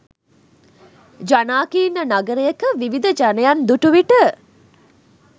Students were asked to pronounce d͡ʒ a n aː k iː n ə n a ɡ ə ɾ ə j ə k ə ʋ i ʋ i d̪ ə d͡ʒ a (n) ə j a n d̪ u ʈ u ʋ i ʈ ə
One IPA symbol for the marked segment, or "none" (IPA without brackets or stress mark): n